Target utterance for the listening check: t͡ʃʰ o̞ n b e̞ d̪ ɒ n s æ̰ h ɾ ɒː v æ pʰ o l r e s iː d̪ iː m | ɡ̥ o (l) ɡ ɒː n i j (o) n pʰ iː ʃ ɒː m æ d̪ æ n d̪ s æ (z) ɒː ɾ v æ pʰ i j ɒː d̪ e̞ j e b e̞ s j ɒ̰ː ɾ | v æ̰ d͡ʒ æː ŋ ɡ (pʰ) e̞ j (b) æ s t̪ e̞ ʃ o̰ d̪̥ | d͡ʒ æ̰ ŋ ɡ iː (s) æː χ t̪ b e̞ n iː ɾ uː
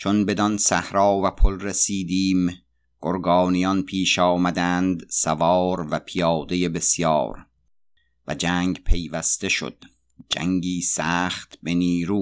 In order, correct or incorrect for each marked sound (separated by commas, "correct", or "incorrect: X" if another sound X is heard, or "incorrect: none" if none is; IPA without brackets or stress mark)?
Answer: incorrect: ɾ, incorrect: ɒ, incorrect: v, correct, incorrect: v, correct